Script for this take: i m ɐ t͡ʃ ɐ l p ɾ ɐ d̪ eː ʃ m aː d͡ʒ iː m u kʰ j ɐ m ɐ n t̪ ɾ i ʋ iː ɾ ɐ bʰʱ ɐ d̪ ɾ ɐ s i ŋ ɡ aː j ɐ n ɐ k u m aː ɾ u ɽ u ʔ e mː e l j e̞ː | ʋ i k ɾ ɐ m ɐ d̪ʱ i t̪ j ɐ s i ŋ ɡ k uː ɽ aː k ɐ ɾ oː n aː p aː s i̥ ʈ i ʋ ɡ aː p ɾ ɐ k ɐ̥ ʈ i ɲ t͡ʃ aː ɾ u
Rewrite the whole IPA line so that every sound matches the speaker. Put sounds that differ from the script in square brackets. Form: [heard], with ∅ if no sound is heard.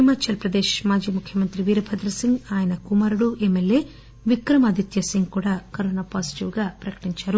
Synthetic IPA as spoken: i m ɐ t͡ʃ ɐ l p ɾ ɐ d̪ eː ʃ m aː d͡ʒ iː m u kʰ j ɐ m ɐ n t̪ ɾ i ʋ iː ɾ ɐ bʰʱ ɐ d̪ ɾ ɐ s i ŋ ɡ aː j ɐ n ɐ k u m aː ɾ u ɽ u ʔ e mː e l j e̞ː | ʋ i k ɾ ɐ m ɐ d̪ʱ i t̪ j ɐ s i ŋ ɡ k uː ɽ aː k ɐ ɾ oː n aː p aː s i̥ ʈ i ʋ ɡ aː p ɾ ɐ k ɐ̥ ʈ i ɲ t͡ʃ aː ɾ u

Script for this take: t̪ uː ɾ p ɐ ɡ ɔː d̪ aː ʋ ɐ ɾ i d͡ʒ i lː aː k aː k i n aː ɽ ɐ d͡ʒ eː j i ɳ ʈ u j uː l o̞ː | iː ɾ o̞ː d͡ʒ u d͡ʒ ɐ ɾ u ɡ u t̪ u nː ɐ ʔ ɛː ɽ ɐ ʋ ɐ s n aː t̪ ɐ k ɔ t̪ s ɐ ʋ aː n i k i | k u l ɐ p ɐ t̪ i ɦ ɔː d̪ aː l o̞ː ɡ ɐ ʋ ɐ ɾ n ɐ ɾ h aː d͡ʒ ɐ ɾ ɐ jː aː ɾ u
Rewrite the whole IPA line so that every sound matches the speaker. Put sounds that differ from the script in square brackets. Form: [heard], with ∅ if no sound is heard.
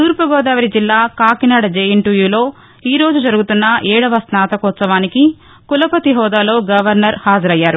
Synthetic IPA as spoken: t̪ uː ɾ p ɐ ɡ ɔː d̪ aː ʋ ɐ ɾ i d͡ʒ i lː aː k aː k i n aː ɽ ɐ d͡ʒ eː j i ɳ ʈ u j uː l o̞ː | iː ɾ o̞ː d͡ʒ u d͡ʒ ɐ ɾ u ɡ u t̪ u nː ɐ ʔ ɛː ɽ ɐ ʋ ɐ s n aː t̪ ɐ k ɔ t̪ s ɐ ʋ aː n i k i | k u l ɐ p ɐ t̪ i ɦ ɔː d̪ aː l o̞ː ɡ ɐ ʋ ɐ ɾ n ɐ ɾ h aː d͡ʒ ɐ ɾ ɐ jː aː ɾ u

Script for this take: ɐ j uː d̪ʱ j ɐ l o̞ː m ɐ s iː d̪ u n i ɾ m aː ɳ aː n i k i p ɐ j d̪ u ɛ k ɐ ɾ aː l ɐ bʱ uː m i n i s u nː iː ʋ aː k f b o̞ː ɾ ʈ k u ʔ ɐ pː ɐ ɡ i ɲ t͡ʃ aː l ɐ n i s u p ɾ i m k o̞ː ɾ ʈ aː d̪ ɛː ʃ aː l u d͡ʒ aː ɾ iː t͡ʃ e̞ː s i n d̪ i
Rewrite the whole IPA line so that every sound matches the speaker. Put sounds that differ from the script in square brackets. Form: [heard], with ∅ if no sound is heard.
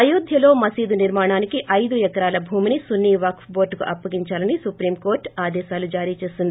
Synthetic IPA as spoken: ɐ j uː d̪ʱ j ɐ l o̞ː m ɐ s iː d̪ u n i ɾ m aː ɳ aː n i k i [ʔ] ɐ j d̪ u ɛ k ɐ ɾ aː l ɐ bʱ uː m i n i s u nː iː ʋ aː k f b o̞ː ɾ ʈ k u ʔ ɐ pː ɐ ɡ i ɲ t͡ʃ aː l ɐ n i s u p ɾ [iː] m k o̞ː ɾ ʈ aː d̪ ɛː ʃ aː l u d͡ʒ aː ɾ iː t͡ʃ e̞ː s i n d̪ i

